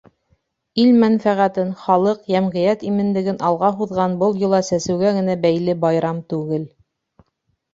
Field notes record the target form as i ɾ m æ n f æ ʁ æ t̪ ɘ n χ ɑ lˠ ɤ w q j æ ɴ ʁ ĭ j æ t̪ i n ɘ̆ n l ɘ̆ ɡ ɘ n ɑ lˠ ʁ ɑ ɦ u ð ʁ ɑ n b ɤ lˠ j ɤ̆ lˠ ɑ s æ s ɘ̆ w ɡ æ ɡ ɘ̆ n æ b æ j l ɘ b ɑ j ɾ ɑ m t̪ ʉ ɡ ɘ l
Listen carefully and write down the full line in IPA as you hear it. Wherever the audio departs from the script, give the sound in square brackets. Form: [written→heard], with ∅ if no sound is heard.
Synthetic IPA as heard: i [ɾ→l] m æ n f æ ʁ æ t̪ ɘ n χ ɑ lˠ ɤ [w→∅] q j æ [ɴ→m] ʁ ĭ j æ t̪ i [n→m] ɘ̆ n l ɘ̆ ɡ ɘ n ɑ lˠ ʁ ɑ ɦ u ð ʁ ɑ n b ɤ lˠ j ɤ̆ lˠ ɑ s æ s ɘ̆ w ɡ æ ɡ ɘ̆ n æ b æ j l ɘ b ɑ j ɾ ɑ m t̪ ʉ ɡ ɘ l